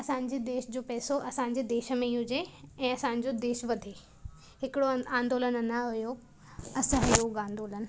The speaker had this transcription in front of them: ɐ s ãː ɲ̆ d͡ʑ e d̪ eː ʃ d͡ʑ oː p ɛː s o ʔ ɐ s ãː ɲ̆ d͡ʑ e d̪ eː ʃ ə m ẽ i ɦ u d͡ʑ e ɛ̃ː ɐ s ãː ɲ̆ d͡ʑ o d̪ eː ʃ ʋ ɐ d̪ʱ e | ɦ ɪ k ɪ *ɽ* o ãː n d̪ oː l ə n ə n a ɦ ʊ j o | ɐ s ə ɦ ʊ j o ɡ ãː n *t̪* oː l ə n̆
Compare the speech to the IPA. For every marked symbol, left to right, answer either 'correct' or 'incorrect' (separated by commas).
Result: correct, incorrect